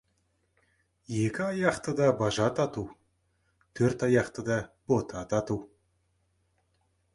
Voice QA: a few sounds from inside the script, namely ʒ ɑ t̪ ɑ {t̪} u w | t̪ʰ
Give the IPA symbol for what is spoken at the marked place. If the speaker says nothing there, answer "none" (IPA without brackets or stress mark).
t̪